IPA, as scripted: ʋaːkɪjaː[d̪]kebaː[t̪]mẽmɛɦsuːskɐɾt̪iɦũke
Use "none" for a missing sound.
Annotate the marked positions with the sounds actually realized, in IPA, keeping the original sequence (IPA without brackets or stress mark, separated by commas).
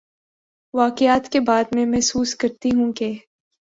t̪, d̪